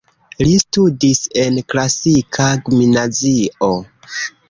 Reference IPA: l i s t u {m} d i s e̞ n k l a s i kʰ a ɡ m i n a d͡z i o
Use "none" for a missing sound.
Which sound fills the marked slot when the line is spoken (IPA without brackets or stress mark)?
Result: none